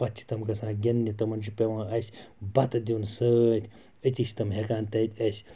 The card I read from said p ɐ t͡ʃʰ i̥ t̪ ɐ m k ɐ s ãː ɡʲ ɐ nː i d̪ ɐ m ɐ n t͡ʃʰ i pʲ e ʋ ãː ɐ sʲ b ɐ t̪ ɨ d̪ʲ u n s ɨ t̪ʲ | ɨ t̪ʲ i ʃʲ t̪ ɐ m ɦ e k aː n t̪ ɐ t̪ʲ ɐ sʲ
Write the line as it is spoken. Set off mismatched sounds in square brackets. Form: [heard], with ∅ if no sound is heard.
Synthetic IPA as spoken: p ɐ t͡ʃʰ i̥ t̪ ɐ m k ɐ s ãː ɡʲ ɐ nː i [t̪] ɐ m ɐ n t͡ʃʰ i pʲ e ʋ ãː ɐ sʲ b ɐ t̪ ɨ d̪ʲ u n s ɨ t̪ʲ | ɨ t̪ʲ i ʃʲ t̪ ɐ m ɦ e k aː n t̪ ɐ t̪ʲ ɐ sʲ